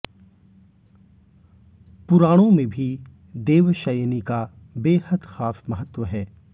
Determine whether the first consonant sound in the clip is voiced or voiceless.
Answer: voiceless